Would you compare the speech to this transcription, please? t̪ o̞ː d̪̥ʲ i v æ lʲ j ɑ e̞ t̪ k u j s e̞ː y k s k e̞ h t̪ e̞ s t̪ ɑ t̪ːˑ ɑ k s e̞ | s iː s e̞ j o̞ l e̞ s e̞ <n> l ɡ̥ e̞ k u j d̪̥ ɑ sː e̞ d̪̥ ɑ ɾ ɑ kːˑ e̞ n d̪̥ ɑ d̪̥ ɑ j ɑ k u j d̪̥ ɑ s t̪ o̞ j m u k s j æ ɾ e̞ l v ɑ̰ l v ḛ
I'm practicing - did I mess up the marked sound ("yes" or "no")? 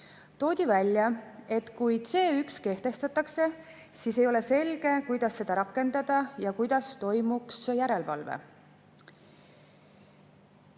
yes